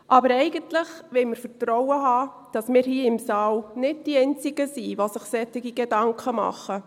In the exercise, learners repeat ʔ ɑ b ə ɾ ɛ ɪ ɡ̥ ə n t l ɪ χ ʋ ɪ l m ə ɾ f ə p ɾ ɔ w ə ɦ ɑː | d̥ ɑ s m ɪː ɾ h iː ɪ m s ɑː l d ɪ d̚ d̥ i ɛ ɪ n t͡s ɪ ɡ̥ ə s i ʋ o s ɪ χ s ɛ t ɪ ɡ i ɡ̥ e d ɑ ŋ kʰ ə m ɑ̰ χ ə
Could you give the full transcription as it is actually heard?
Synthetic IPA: ʔ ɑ b ə ɾ ɛ ɪ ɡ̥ ə n t l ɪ χ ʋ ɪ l m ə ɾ f ə t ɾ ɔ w ə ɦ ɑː | d̥ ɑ s m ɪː ɾ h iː ɪ m s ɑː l n ɪ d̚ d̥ i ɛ ɪ n t͡s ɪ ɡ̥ ə s i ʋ o s ɪ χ s ɛ t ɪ ɡ i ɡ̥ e d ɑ ŋ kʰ ə m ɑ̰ χ ə